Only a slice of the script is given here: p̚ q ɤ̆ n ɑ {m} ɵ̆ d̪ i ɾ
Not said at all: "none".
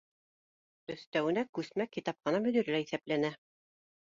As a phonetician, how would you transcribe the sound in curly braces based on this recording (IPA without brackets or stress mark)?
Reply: m